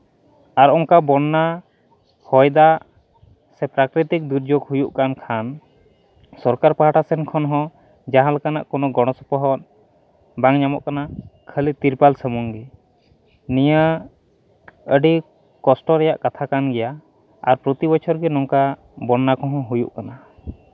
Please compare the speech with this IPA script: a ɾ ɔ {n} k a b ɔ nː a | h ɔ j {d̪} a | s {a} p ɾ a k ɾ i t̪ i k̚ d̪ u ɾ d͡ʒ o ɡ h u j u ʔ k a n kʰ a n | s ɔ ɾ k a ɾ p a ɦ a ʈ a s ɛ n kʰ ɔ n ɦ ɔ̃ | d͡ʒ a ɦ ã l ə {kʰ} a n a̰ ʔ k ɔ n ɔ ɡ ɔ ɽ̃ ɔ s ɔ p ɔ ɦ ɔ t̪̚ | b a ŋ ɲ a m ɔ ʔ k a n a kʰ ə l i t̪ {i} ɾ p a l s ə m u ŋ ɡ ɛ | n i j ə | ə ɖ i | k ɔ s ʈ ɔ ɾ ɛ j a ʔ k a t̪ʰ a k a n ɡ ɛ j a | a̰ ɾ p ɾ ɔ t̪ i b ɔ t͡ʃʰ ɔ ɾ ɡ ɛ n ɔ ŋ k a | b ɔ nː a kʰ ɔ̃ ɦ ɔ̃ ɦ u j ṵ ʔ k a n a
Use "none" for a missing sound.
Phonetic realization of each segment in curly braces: ŋ, d̪, ɛ, k, i

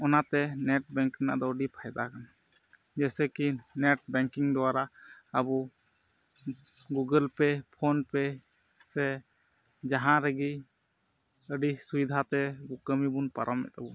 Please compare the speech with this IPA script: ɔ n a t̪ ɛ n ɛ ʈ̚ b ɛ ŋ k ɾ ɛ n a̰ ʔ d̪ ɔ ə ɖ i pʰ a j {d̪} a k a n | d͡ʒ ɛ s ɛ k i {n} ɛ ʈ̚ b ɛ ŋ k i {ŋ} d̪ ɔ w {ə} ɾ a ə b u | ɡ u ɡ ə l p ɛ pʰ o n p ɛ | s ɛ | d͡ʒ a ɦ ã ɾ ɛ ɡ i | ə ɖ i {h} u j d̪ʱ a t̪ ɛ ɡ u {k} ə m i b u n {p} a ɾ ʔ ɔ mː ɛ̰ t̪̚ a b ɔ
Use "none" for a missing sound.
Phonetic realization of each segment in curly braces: d̪, n, ŋ, a, s, k, p

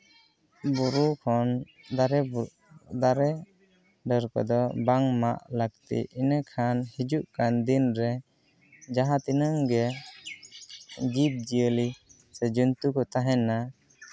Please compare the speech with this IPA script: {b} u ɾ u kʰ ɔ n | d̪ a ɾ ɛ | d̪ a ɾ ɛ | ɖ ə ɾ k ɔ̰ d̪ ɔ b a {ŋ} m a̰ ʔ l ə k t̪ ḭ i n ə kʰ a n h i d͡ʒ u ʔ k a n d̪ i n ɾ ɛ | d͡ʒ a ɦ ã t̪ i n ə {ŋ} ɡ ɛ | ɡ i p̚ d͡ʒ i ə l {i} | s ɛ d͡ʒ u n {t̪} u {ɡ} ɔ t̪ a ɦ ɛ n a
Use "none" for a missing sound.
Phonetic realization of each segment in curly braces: b, ŋ, ŋ, i, t̪, k

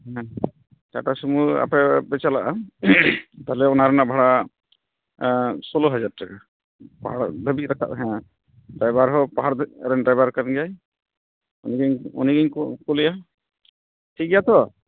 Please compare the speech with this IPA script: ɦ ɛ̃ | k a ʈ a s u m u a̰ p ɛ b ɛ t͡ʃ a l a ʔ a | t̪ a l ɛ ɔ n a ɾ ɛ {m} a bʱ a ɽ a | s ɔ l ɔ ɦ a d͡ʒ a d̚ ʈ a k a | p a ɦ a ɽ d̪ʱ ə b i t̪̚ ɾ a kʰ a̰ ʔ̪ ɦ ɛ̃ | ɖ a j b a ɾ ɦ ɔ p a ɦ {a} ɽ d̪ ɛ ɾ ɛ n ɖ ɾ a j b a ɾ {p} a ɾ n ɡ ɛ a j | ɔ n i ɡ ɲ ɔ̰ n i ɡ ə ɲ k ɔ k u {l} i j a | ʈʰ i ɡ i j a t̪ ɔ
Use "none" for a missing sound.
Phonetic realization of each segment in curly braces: n, a, k, l

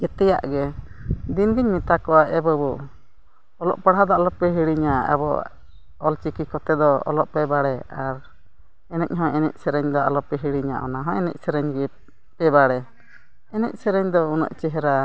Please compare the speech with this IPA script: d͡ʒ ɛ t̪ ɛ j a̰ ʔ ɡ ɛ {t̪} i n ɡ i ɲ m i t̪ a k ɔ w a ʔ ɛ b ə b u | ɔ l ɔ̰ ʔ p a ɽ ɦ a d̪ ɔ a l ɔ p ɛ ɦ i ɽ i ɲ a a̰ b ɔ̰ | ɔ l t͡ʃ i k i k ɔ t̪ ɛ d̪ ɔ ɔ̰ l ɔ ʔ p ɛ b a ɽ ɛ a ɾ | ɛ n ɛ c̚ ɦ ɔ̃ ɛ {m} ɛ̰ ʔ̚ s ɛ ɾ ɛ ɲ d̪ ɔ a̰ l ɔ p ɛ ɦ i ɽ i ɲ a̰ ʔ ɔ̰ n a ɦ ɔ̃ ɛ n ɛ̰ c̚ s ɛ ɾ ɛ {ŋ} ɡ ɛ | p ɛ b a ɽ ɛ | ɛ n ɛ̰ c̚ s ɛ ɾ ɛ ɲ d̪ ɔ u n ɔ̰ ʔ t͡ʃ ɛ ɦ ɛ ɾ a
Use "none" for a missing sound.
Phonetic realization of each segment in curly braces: d̪, n, ɲ

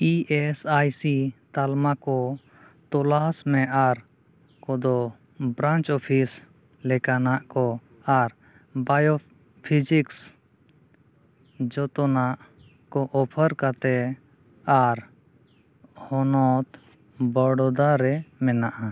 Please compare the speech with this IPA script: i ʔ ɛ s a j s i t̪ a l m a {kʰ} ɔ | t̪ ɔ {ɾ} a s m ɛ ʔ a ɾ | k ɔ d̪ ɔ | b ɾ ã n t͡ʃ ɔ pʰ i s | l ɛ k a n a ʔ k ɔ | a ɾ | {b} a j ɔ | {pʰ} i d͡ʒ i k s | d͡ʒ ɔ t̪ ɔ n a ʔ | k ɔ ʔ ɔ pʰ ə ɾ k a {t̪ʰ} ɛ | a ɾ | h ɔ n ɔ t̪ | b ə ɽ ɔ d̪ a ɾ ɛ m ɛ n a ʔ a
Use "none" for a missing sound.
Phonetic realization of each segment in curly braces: k, l, b, pʰ, t̪

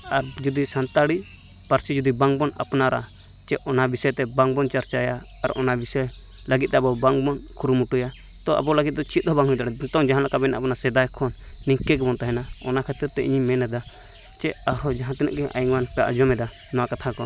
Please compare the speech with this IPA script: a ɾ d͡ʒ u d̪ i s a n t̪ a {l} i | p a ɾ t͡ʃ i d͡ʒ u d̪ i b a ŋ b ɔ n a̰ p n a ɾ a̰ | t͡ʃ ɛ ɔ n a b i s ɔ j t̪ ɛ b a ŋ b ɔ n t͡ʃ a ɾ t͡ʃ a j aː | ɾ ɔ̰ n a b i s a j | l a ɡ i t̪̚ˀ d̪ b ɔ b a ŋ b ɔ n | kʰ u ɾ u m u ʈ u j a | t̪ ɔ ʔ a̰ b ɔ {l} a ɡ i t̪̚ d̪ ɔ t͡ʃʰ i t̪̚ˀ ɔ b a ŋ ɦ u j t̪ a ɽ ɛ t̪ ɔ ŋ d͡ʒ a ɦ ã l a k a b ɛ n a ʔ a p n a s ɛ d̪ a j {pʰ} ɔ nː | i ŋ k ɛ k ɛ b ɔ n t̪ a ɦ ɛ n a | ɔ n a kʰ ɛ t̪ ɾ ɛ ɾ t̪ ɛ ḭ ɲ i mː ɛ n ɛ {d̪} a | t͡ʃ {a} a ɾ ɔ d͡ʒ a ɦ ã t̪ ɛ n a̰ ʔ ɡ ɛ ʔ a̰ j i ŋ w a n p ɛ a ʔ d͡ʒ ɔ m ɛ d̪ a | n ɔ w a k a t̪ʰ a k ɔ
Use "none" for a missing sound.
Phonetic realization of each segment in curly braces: ɽ, l, kʰ, d̪, ɛ

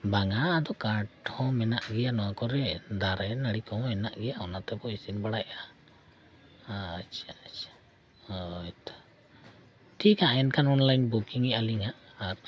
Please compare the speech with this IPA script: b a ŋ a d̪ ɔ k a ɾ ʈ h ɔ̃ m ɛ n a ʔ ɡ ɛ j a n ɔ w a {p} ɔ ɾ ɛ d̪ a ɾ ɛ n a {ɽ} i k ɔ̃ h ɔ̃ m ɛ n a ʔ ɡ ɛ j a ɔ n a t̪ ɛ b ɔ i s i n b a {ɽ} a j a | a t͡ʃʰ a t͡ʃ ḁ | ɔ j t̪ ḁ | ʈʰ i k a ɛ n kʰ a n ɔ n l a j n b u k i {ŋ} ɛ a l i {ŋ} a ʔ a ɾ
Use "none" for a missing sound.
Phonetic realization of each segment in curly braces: k, ɽ, ɽ, ŋ, ŋ

